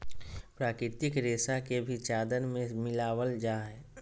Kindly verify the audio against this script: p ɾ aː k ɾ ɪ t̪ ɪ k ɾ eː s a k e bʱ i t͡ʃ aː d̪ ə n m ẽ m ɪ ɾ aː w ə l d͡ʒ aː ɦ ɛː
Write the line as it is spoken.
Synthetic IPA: p ɾ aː k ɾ ɪ t̪ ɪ k ɾ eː s a k e bʱ i t͡ʃ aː d̪ ə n m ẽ m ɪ l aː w ə l d͡ʒ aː ɦ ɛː